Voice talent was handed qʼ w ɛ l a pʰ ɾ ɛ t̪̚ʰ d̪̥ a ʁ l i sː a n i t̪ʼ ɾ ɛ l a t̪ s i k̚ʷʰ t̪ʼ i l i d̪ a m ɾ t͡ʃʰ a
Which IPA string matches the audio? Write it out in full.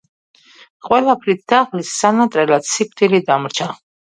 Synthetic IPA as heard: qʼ w ɛ l a pʰ ɾ i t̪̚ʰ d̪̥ a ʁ l i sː a n a t̪ʼ ɾ ɛ l a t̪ s i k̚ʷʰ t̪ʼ i l i d̪ a m ɾ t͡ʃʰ a

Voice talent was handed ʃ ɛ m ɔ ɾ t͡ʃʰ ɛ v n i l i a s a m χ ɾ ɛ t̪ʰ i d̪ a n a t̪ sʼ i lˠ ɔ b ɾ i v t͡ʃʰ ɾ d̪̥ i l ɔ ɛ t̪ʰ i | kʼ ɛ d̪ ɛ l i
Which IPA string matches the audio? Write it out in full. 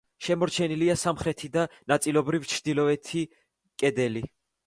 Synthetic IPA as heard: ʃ ɛ m ɔ ɾ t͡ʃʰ ɛ n i l i a s a m χ ɾ ɛ t̪ʰ i d̪ a n a t̪ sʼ i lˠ ɔ b ɾ i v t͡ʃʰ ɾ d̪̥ i l ɔ ɛ t̪ʰ i | kʼ ɛ d̪ ɛ l i

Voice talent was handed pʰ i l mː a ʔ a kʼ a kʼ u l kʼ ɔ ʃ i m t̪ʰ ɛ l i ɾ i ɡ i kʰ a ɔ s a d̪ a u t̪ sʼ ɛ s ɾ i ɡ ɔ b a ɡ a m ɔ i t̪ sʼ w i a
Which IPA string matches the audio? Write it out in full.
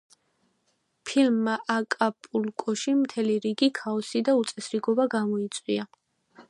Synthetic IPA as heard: pʰ i l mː a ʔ a kʼ a pʼ u l kʼ ɔ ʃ i m t̪ʰ ɛ l i ɾ i ɡ i kʰ a ɔ s i d̪ a u t̪ sʼ ɛ s ɾ i ɡ ɔ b a ɡ a m ɔ i t̪ sʼ w i a

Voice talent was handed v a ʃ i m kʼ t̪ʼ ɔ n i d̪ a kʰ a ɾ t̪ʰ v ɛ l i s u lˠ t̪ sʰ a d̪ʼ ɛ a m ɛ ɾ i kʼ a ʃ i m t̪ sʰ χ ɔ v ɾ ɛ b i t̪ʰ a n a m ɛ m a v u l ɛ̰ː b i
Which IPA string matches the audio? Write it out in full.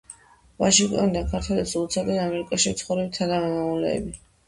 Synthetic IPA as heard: v a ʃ i ŋ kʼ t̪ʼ ɔ n i d̪ a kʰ a ɾ t̪ʰ w ɛ l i s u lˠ t̪ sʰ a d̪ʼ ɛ a m ɛ ɾ i kʼ a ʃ i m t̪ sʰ χ ɔ v ɾ ɛ b i t̪ʰ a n a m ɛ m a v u l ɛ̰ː b i

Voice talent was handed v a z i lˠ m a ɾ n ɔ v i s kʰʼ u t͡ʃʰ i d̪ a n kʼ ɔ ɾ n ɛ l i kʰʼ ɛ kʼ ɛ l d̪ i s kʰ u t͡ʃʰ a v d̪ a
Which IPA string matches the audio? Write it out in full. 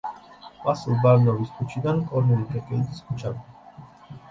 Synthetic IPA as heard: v a s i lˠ b a ɾ n ɔ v i s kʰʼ u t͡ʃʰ i d̪ a n kʼ ɔ ɾ n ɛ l i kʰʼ ɛ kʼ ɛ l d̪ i s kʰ u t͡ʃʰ a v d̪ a

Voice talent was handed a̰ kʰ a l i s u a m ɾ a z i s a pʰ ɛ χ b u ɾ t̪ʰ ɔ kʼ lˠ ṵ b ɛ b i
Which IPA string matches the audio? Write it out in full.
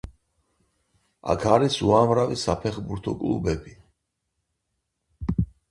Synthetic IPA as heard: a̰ kʰ a ɾ i s u a m ɾ a v i s a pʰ ɛ χ b u ɾ t̪ʰ ɔ kʼ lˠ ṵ b ɛ b i

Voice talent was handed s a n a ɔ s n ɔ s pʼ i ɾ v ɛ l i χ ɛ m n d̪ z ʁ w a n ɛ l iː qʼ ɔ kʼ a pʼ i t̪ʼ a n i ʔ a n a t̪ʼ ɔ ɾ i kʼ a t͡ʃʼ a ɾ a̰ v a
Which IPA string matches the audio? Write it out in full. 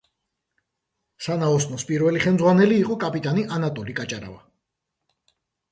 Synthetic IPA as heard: s a n a ɔ s n ɔ s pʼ i ɾ v ɛ l i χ ɛ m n d̪ z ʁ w a n ɛ l iː qʼ ɔ kʼ a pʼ i t̪ʼ a n i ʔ a n a t̪ʼ ɔ l i kʼ a t͡ʃʼ a ɾ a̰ v a

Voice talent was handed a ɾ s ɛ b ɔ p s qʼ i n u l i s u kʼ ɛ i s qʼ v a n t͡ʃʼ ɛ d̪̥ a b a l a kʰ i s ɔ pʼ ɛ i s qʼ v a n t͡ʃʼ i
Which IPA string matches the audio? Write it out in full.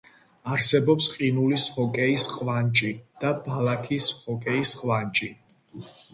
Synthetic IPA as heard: a ɾ s ɛ b ɔ p s qʼ i n u l i s ɔ kʼ ɛ i s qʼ v a n t͡ʃʼ i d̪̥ a b a l a kʰ i s ɔ kʼ ɛ i s qʼ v a n t͡ʃʼ i

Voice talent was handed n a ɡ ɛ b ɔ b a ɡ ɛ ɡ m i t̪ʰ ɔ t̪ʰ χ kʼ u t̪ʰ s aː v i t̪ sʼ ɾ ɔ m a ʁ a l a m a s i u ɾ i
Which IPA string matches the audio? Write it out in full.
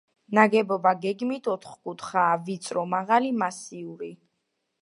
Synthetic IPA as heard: n a ɡ ɛ b ɔ b a ɡ ɛ ɡ m i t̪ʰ ɔ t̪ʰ χ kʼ u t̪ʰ χ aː v i t̪ sʼ ɾ ɔ m a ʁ a l i m a s i u ɾ i

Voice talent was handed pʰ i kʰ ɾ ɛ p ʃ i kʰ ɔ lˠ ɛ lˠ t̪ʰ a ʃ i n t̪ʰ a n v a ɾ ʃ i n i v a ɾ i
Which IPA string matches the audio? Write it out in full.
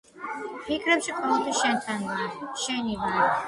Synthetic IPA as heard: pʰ i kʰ ɾ ɛ p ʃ i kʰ ɔ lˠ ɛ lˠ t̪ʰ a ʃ ɛ n t̪ʰ a n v a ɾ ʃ ɛ n i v a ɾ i

